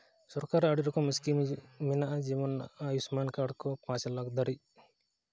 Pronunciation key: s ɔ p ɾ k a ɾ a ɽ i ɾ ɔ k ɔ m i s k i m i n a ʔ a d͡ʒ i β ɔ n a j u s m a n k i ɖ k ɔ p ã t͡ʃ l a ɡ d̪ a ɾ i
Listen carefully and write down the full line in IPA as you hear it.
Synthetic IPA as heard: s ɔ ɾ k a ɾ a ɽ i ɾ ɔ k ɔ m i s k i m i n a ʔ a d͡ʒ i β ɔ n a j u s m a n k a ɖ k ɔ p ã t͡ʃ l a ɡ d̪ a ɾ i